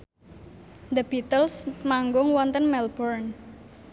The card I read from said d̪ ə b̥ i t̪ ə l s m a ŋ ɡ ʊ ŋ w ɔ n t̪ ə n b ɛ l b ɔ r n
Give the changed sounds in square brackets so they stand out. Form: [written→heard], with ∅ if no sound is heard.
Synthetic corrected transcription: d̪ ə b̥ i t̪ ə l s m a ŋ ɡ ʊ ŋ w ɔ n t̪ ə n [b→m] ɛ l b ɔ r n